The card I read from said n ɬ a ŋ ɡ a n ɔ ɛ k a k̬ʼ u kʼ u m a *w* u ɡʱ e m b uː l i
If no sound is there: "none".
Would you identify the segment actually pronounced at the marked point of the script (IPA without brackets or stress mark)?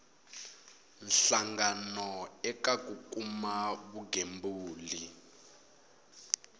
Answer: β